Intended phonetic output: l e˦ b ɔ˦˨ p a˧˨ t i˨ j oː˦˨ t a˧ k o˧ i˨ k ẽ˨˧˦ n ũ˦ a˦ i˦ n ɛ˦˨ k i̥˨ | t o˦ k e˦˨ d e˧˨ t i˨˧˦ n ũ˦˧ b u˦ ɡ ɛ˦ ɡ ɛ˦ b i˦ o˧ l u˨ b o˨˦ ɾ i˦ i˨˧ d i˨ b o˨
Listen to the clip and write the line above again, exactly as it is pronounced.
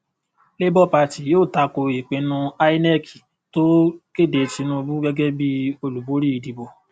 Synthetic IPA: l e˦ b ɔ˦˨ p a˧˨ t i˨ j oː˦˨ t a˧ k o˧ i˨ k͡p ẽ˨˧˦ n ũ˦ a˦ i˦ n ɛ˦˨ k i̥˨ | t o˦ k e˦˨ d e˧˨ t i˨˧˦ n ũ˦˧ b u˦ ɡ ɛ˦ ɡ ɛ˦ b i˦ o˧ l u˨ b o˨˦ ɾ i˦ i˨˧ d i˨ b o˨